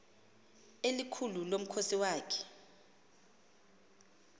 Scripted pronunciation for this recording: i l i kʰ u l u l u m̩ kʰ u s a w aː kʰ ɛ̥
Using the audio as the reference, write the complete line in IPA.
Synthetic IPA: e l i kʰ u l u l o m̩ kʰ o s i w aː kʰ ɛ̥

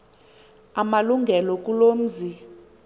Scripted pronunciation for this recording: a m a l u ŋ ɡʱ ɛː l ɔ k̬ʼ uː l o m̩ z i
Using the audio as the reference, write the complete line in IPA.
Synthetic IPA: a m a l u ŋ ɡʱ ɛ l ɔ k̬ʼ u l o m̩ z i

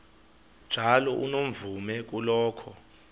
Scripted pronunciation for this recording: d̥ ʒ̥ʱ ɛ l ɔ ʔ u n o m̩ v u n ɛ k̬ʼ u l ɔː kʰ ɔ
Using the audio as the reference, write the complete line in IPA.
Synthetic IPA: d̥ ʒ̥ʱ a l ɔ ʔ u n o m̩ v u m ɛ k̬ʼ u l ɔː kʰ ɔ

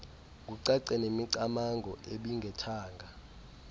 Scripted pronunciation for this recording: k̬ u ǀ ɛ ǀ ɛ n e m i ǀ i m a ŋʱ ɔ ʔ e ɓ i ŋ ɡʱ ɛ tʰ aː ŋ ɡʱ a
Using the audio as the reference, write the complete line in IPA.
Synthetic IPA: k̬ u ǀ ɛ ǀ ɛ n e m i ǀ a m a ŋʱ ɔ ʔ e ɓ i ŋ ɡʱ ɛ tʰ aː ŋ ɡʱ a

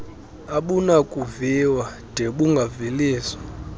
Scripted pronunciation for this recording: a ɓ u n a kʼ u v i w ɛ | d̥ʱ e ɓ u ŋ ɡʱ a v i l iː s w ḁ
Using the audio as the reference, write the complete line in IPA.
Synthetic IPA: a ɓ u n a kʼ u v i w a | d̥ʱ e ɓ u ŋ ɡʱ a v i l iː s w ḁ

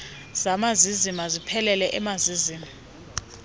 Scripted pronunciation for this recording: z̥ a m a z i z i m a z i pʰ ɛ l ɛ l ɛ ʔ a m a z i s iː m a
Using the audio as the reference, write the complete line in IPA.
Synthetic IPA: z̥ a m a z i z i m a z i pʰ ɛ l ɛ l ɛ ʔ ɛ m a z i z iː m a

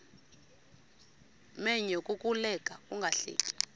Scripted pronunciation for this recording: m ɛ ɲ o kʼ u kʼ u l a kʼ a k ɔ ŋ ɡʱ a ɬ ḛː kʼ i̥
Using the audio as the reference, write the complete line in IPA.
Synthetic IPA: m ɛ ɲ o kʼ u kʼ u l ɛ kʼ a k u ŋ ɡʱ a ɬ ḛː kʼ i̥

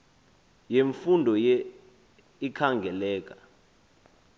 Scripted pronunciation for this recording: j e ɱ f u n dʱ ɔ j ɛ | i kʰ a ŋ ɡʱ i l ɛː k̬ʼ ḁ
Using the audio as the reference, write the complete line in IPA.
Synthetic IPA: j e ɱ f u n dʱ ɔ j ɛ | i kʰ a ŋ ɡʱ ɛ l ɛː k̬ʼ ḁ

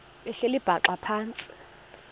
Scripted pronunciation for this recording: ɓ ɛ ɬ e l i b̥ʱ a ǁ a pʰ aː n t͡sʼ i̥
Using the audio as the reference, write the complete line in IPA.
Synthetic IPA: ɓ ɛ ɬ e l i b̥ʱ a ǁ a pʰ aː n t͡sʼ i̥

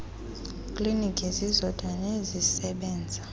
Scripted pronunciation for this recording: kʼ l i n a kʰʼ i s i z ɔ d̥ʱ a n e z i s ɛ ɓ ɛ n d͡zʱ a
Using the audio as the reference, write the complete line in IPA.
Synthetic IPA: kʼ l i n i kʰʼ i z i z ɔ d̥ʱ a n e z i s ɛ ɓ ɛː n d͡zʱ a

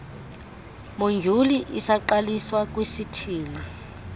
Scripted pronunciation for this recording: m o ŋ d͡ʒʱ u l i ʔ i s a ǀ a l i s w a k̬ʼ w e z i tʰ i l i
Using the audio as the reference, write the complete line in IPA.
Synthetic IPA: m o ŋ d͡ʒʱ u l i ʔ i s a ǃ a l i s w a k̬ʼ w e s i tʰ iː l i

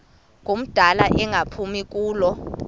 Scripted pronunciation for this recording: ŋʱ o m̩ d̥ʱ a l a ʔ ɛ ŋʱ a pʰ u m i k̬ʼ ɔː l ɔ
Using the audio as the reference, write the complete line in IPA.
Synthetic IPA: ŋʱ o m̩ d̥ʱ a l a ʔ ɛ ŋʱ a pʰ u m i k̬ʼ uː l ɔ

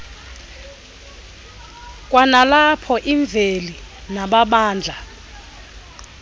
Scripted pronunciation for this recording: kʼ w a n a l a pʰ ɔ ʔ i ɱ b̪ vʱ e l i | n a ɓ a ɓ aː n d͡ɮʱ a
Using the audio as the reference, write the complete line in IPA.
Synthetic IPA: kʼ w a n a l a pʰ ɔ ʔ i ɱ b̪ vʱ e l i | n a ɓ a ɓ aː n d͡ɮʱ a

